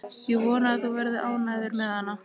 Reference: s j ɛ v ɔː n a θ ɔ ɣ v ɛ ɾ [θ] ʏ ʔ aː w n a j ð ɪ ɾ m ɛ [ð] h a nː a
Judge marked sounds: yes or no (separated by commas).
no, yes